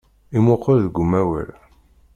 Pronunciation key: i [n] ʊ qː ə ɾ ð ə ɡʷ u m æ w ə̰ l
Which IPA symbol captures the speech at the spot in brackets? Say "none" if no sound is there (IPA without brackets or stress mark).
m